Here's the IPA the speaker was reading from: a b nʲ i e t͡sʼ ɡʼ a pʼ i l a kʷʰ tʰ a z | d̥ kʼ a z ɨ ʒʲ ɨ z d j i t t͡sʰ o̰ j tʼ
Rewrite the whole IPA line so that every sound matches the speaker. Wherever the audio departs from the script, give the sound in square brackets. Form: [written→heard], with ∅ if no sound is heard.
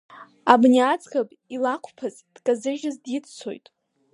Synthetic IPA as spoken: a b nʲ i [e→a] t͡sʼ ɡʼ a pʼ i l a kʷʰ [tʰ→pʰ] a z | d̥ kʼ a z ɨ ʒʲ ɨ z d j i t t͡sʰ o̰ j tʼ